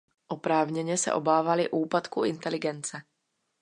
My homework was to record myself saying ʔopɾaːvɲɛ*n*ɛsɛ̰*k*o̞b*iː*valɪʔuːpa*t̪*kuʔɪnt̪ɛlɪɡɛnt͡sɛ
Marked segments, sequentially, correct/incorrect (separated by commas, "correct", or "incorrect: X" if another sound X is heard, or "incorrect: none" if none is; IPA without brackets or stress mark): incorrect: ɲ, incorrect: ʔ, incorrect: aː, correct